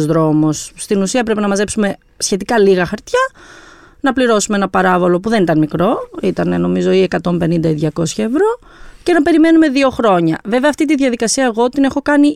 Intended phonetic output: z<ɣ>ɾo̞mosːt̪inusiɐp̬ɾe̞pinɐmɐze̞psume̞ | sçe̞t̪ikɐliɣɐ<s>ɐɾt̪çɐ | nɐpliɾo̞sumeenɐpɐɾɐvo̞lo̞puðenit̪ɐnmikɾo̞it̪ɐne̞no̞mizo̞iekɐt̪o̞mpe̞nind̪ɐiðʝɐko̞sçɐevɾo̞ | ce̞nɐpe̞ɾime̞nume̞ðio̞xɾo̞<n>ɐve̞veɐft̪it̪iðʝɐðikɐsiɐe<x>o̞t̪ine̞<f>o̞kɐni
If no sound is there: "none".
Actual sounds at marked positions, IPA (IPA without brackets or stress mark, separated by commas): ð, x, ɲ, ɣ, x